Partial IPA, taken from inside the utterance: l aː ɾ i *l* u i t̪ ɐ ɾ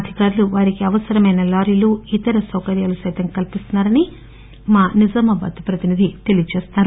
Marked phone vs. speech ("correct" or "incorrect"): correct